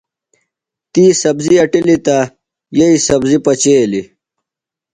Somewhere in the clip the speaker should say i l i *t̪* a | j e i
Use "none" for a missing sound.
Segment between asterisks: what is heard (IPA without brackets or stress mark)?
t̪